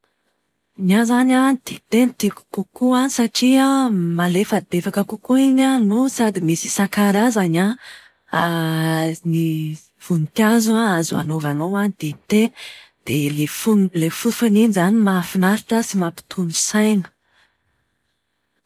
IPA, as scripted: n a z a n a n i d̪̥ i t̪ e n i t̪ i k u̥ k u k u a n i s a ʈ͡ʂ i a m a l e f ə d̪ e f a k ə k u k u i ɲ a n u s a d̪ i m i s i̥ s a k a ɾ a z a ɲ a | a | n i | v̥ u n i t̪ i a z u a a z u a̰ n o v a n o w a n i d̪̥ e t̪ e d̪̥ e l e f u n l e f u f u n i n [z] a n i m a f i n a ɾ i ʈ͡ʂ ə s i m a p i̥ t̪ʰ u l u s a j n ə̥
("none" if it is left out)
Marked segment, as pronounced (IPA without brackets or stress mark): z